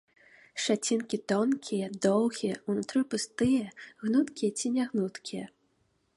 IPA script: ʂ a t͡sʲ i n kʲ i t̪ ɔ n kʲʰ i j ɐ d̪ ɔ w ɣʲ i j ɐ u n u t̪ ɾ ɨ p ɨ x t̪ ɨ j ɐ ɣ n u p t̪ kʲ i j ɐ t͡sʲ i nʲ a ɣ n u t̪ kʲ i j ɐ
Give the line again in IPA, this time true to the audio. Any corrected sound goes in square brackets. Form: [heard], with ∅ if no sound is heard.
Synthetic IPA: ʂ a t͡sʲ i n kʲ i t̪ ɔ n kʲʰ i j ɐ d̪ ɔ w ɣʲ i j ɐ u n u t̪ ɾ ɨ p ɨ [s] t̪ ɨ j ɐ ɣ n u [∅] t̪ kʲ i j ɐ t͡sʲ i nʲ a ɣ n u t̪ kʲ i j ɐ

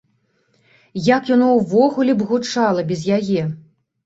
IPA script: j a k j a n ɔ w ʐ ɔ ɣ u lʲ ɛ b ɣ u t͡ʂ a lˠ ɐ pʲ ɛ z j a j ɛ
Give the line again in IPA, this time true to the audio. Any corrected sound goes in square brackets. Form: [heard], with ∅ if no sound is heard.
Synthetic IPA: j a k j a n ɔ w [v] ɔ ɣ u lʲ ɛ b ɣ u t͡ʂ a lˠ ɐ [bʲ] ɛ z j a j ɛ

